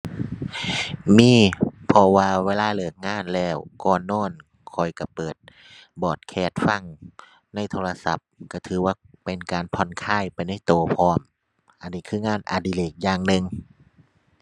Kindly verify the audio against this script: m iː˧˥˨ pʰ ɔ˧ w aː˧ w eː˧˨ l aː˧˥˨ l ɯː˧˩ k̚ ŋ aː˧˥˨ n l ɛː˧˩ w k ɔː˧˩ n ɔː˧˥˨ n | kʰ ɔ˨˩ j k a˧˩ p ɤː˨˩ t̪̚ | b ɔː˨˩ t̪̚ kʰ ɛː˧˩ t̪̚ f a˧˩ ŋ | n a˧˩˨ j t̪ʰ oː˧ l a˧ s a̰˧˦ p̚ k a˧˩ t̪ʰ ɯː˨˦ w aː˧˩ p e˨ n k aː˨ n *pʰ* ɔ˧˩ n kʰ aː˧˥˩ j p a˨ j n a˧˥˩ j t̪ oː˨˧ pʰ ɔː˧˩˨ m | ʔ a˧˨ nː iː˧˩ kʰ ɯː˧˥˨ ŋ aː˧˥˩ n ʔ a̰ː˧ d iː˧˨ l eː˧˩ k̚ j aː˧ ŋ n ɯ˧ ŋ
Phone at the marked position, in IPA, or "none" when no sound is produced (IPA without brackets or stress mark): pʰ